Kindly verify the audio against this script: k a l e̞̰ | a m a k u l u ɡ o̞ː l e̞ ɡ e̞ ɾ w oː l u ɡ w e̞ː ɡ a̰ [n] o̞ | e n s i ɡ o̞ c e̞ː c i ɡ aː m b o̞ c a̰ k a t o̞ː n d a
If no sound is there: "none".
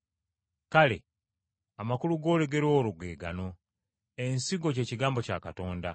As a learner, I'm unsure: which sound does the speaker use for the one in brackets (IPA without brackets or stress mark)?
n